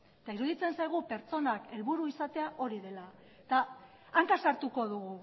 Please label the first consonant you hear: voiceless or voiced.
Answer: voiceless